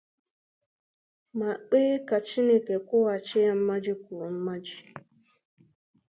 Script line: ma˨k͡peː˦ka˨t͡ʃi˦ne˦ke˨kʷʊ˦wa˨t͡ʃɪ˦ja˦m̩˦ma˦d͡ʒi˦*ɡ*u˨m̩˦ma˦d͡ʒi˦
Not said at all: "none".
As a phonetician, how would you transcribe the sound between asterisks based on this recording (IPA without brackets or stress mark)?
k